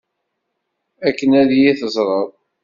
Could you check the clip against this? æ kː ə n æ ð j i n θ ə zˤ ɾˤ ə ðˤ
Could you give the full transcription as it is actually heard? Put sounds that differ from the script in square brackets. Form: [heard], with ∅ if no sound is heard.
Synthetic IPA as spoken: æ kː ə n æ ð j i [∅] θ ə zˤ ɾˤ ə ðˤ

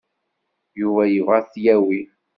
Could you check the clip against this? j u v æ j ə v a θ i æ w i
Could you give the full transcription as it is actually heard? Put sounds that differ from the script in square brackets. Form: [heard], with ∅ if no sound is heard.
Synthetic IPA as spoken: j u v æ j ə v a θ [j] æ w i

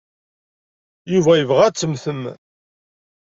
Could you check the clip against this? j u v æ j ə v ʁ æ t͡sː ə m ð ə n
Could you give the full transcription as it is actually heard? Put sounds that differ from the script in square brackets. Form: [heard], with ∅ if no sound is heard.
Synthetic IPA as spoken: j u v æ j ə v ʁ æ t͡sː ə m [θ] ə [m]

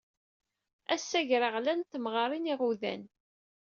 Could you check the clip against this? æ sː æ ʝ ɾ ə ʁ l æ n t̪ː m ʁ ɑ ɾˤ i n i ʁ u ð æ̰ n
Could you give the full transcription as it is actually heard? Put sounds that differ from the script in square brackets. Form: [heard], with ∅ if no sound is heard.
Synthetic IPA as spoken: æ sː æ ʝ ɾ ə ʁ l æ n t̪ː m ʁ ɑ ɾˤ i n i ʁ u ð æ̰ n

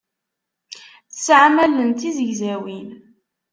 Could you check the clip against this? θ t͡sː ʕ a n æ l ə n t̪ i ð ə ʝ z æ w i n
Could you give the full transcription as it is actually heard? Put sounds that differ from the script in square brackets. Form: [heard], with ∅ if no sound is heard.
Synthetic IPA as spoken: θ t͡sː ʕ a [m] æ l ə n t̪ i [z] ə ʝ z æ w i n

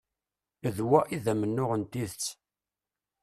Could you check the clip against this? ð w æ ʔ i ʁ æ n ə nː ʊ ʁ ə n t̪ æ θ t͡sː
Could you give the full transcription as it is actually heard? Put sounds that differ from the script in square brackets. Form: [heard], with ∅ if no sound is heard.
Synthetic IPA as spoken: ð w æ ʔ i [ð] æ [m] ə nː ʊ ʁ ə n t̪ [i] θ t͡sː

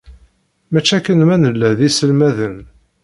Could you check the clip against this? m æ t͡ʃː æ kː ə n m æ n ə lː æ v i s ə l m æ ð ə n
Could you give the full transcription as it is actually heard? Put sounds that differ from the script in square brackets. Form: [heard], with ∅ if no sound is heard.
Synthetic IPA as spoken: m æ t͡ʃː æ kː ə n m æ n ə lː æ [ð] i s ə l m æ ð ə n

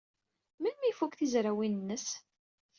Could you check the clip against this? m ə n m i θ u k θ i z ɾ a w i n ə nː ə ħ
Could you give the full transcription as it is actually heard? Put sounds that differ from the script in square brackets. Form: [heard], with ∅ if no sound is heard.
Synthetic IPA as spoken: m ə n m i [f] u k θ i z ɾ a w i n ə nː ə [s]

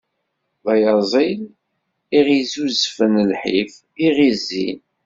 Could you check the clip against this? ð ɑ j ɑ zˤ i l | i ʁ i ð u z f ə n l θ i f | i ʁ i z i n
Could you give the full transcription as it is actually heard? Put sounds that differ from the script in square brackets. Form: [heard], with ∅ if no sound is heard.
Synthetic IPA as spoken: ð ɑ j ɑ zˤ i l | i ʁ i [z] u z f ə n l [ħ] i f | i ʁ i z i n

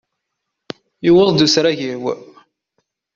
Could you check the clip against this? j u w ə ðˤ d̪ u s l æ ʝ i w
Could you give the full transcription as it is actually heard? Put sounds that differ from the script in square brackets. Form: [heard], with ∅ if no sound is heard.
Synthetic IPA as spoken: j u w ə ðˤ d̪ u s [ɾ] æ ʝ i w

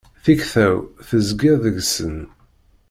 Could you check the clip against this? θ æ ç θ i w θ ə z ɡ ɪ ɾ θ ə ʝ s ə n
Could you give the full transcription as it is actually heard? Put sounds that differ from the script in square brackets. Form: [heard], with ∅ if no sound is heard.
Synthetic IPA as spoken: θ [i] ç θ [æ] w θ ə z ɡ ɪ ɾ [ð] ə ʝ s ə n

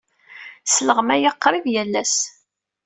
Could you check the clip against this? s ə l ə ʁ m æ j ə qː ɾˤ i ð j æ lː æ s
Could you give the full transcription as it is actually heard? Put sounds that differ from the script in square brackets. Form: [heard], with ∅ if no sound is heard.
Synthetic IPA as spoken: s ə l ə ʁ m æ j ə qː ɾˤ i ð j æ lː æ s

